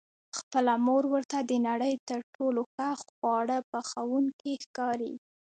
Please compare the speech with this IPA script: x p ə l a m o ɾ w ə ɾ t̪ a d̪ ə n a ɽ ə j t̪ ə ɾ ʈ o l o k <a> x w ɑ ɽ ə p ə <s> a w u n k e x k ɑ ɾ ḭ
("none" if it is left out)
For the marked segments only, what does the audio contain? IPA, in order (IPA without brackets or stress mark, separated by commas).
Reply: a, x